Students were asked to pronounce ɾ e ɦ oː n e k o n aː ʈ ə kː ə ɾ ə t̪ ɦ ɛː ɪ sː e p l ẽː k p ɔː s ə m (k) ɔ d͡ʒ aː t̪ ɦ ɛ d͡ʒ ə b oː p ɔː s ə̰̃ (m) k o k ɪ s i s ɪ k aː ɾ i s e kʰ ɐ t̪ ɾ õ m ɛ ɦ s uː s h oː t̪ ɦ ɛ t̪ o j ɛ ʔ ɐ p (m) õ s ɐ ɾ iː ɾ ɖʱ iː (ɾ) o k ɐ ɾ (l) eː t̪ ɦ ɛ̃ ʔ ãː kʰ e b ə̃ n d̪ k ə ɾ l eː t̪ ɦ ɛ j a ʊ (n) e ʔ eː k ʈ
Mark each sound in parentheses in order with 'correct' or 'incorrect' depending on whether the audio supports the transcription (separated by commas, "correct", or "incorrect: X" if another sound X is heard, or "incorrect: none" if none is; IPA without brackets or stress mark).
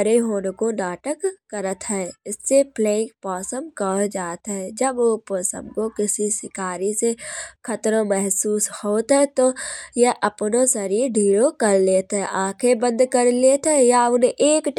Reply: correct, correct, incorrect: n, correct, correct, correct